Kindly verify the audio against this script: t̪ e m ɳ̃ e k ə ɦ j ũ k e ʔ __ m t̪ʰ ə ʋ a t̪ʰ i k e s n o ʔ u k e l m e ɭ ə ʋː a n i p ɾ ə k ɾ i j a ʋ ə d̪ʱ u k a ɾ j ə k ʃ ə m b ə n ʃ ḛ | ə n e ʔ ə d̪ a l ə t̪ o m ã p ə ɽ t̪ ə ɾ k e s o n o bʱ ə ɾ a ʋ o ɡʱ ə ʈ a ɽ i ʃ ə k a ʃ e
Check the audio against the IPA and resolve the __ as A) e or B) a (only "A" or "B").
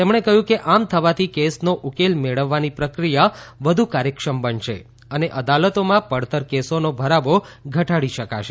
B